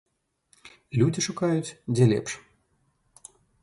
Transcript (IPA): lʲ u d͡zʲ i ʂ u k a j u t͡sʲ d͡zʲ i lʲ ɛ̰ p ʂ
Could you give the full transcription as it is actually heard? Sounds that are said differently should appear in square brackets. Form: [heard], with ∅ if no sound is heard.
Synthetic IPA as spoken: lʲ u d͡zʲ i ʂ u k a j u t͡sʲ d͡zʲ [ɛ] lʲ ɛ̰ p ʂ